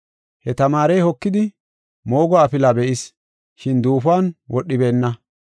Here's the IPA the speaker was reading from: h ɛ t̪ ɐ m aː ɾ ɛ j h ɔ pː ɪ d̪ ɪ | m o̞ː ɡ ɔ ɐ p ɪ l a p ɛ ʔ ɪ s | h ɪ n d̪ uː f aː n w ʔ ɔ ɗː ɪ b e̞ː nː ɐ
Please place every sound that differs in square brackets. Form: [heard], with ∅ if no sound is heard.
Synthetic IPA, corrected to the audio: h ɛ t̪ ɐ m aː ɾ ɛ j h ɔ [kː] ɪ d̪ ɪ | m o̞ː ɡ ɔ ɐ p ɪ l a [b] ɛ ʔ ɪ s | [ʃ] ɪ n d̪ uː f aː n w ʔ ɔ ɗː ɪ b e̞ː nː ɐ